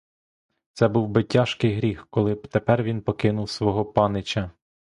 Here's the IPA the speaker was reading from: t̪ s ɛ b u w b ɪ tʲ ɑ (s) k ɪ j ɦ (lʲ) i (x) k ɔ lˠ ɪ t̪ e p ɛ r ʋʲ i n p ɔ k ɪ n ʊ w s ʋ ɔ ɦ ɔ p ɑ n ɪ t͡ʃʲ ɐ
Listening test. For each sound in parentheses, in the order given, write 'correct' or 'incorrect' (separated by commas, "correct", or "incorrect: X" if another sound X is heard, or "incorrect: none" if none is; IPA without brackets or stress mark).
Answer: incorrect: ʃ, incorrect: ɾʲ, correct